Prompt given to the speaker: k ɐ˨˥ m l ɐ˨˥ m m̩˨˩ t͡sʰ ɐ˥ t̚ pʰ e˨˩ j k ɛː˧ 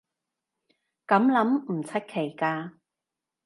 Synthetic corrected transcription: k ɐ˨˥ m l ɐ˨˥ m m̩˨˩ t͡sʰ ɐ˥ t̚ kʰ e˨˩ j k aː˧